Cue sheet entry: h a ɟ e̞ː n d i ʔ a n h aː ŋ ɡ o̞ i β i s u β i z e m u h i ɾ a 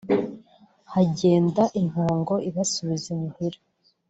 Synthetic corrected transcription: h a ɟ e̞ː n d a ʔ i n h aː ŋ ɡ o̞ i β a s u β i z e m u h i ɾ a